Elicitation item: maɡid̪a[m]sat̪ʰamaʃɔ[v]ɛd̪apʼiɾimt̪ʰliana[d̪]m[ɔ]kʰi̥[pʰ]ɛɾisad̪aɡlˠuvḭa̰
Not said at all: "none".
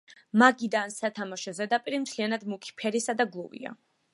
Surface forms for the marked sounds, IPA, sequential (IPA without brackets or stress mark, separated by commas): n, z, d̪, u, pʰ